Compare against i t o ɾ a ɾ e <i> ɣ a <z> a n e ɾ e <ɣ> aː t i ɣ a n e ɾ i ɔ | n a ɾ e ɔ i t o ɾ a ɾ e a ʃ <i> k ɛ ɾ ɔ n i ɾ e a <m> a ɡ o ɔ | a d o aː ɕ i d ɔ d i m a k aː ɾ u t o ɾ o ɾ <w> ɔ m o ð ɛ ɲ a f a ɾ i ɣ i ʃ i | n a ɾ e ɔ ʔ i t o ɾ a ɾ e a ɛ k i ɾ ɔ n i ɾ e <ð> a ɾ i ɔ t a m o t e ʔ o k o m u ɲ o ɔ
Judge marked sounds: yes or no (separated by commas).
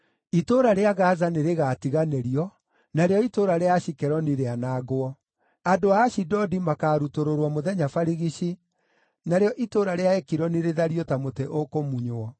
no, yes, yes, yes, no, yes, yes